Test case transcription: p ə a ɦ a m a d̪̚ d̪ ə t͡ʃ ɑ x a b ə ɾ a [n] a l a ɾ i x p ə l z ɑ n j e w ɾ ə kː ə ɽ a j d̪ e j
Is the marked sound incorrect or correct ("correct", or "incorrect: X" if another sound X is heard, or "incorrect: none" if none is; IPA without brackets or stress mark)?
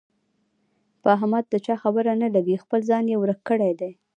correct